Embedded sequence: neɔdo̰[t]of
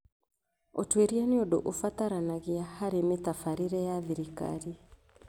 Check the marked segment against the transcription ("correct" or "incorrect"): incorrect